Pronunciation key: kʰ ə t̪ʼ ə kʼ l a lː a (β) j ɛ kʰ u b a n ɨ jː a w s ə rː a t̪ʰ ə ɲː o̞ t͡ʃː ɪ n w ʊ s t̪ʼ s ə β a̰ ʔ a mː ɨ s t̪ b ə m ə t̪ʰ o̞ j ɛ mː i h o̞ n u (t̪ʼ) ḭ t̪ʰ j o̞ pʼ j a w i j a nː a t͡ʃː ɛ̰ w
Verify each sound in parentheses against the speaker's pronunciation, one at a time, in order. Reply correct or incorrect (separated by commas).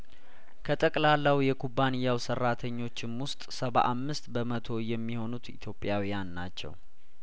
incorrect, incorrect